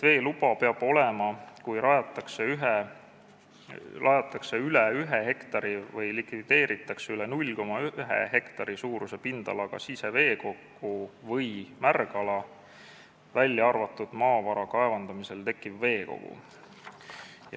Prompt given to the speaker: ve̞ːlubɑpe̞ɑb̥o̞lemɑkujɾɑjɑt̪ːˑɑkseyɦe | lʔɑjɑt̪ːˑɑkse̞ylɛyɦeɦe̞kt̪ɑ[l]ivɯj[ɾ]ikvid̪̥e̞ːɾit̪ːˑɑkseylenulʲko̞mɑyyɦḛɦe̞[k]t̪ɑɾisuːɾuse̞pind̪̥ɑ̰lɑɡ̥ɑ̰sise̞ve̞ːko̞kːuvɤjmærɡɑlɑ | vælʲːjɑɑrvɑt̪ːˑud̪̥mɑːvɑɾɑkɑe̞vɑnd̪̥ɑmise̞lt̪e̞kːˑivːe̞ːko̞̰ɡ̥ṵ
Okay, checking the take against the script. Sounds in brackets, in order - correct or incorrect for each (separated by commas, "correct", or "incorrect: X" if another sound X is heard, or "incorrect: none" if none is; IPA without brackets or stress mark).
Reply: incorrect: ɾ, incorrect: l, correct